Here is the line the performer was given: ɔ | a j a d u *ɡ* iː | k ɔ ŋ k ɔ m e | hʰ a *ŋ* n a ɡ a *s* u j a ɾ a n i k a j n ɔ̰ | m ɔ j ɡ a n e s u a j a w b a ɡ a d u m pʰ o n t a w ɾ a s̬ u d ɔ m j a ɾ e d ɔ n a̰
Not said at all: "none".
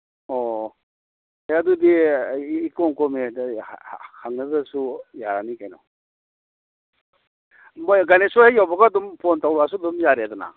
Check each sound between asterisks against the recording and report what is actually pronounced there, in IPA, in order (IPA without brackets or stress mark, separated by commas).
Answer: d, ŋ, s